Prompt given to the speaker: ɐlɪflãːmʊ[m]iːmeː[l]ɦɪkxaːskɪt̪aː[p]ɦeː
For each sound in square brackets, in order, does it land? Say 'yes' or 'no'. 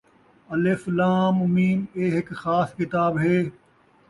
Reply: yes, no, no

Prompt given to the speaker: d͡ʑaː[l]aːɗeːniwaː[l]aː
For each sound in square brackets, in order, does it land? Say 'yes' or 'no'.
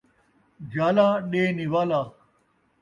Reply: yes, yes

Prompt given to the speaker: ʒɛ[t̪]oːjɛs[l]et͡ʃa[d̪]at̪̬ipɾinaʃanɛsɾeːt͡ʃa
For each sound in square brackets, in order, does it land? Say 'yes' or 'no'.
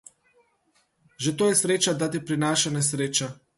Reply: yes, no, yes

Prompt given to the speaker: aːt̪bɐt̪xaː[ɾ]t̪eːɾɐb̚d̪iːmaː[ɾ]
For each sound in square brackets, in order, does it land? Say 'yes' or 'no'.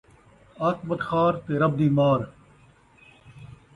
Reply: yes, yes

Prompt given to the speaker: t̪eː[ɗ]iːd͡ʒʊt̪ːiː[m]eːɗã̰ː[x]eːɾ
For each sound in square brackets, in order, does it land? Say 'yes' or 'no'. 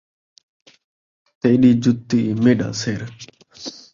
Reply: yes, yes, no

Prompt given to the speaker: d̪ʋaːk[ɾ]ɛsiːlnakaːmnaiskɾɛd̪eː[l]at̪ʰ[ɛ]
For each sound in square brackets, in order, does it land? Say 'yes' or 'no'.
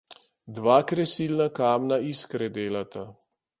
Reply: yes, yes, no

